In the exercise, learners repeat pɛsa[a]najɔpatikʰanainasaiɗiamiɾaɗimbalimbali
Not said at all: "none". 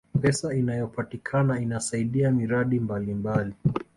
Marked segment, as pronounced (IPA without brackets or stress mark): i